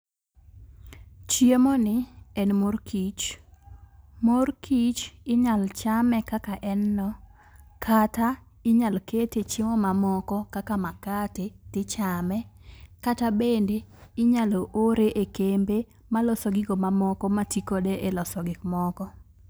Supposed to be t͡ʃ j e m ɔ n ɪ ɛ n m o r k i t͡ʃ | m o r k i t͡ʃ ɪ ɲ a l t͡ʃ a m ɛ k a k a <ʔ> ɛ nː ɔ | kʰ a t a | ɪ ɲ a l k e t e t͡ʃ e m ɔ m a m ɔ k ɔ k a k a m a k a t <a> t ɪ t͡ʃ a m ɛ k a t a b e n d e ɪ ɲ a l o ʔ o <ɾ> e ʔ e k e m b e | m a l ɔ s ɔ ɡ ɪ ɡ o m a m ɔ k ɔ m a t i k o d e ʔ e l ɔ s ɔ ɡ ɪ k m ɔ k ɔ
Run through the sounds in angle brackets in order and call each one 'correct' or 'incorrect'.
correct, incorrect: e, correct

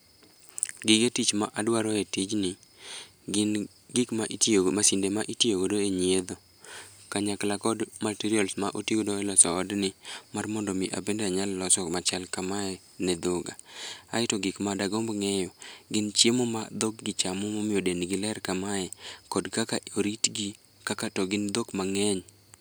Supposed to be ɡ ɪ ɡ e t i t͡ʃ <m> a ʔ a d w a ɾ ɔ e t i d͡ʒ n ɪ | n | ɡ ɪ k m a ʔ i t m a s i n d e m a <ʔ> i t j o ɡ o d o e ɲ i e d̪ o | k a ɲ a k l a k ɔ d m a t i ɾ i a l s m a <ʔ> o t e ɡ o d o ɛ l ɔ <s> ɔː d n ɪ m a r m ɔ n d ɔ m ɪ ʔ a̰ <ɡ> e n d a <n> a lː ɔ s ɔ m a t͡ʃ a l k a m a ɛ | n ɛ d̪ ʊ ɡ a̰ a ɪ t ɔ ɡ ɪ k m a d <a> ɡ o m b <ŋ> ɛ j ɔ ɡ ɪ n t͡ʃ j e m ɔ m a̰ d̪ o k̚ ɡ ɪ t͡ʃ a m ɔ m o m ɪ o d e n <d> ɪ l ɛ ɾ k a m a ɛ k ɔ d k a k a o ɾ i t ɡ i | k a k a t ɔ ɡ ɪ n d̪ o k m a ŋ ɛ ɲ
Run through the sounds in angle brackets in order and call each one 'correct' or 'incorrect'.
correct, correct, correct, correct, incorrect: b, incorrect: ɲ, correct, correct, incorrect: ɡ

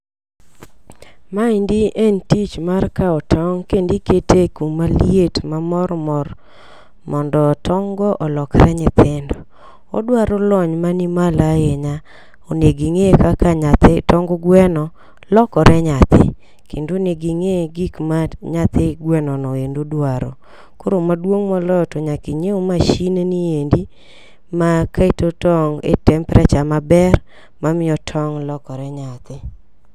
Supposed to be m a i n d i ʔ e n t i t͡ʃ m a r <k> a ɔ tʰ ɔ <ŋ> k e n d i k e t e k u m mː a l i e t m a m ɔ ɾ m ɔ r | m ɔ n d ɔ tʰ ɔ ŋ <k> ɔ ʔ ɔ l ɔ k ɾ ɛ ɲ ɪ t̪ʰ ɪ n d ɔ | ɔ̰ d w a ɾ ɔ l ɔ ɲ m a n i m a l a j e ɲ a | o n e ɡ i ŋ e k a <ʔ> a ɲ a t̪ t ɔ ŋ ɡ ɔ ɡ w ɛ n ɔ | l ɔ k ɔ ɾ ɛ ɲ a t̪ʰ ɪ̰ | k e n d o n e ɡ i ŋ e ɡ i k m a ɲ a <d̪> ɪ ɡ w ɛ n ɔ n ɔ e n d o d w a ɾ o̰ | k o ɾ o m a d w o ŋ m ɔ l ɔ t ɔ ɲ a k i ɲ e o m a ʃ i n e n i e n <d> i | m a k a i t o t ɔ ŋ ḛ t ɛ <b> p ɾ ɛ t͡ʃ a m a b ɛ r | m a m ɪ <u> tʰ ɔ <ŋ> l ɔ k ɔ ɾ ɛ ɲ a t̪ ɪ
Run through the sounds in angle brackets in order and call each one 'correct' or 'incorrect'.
correct, correct, incorrect: ɡ, incorrect: k, incorrect: t̪, correct, incorrect: m, incorrect: ɔ, correct

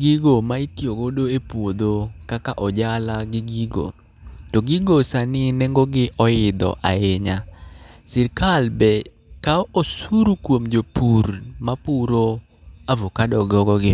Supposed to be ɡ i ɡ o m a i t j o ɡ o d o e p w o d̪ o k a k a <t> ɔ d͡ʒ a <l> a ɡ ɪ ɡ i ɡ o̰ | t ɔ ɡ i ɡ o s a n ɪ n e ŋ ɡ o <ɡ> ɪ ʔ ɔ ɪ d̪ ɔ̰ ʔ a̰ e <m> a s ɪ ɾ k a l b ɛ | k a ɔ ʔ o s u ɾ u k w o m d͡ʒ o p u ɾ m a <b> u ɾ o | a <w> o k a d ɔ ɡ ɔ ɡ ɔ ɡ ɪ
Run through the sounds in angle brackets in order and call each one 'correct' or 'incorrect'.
incorrect: ʔ, correct, correct, incorrect: ɲ, incorrect: p, incorrect: v

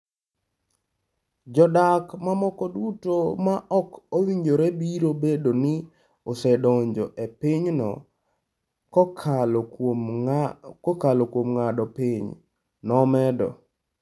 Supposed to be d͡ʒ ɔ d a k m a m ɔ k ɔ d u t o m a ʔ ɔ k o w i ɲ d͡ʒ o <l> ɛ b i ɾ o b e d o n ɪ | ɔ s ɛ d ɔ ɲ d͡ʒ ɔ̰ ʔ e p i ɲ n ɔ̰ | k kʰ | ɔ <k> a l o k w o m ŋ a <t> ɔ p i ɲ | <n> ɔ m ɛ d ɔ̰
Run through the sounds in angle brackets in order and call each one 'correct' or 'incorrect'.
incorrect: ɾ, correct, incorrect: d, correct

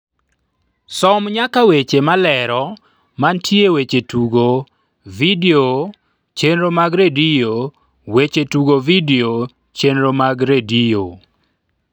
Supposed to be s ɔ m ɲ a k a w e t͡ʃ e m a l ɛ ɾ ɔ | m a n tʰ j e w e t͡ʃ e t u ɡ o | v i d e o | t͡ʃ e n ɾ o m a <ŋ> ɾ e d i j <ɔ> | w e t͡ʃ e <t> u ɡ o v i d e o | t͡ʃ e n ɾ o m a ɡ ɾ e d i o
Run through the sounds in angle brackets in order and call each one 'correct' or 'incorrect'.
incorrect: ɡ, incorrect: o, correct

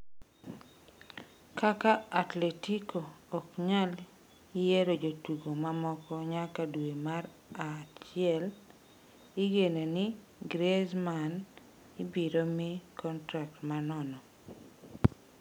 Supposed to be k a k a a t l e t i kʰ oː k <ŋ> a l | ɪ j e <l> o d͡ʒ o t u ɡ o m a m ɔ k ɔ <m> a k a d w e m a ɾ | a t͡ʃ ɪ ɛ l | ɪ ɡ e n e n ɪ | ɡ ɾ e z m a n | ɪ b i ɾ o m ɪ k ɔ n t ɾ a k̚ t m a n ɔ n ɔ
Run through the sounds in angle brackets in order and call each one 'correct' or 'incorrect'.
incorrect: ɲ, incorrect: ɾ, incorrect: ɲ

